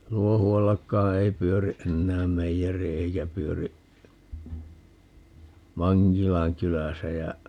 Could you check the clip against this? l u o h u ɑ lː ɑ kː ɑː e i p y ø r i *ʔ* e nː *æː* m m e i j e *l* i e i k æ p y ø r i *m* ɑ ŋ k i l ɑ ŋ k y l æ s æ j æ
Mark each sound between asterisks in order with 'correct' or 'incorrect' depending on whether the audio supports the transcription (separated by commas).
correct, correct, incorrect, correct